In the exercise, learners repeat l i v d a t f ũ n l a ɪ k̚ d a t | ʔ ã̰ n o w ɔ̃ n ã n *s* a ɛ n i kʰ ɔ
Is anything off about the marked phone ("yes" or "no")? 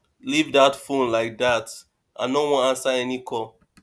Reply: no